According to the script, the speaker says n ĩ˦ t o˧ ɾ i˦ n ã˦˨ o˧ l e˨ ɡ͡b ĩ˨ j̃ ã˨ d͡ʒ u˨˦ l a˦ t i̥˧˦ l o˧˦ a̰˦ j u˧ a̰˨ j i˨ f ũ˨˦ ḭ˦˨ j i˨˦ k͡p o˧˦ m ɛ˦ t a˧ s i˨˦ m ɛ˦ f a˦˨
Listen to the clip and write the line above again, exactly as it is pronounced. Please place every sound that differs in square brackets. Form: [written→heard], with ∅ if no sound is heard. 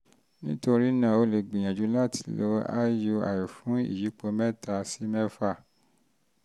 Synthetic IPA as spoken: n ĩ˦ t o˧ ɾ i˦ n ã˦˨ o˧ l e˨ ɡ͡b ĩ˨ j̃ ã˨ d͡ʒ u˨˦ l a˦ t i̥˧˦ l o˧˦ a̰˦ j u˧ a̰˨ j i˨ f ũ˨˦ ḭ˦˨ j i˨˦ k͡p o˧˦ m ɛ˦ t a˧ s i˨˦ m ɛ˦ f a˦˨

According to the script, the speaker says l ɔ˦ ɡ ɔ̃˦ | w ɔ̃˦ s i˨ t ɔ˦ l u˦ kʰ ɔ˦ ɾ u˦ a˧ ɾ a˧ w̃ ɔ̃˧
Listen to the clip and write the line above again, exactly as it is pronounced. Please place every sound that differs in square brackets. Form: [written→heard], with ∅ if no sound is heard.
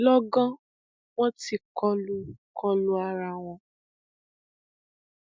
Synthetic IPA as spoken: l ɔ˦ ɡ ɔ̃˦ | w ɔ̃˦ [s→t] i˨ [t→k] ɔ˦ l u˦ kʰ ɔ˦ [ɾ→l] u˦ a˧ ɾ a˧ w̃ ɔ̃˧

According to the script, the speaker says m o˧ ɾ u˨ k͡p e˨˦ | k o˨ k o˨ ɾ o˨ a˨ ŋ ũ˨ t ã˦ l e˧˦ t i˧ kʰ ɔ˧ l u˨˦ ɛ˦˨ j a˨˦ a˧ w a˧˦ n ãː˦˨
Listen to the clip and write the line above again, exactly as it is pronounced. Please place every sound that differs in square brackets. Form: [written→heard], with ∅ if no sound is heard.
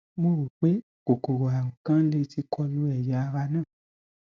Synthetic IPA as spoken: m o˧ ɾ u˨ k͡p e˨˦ | k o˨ k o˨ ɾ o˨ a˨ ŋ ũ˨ [t→k] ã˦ l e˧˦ t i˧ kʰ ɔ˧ l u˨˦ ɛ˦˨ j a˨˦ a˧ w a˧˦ n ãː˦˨

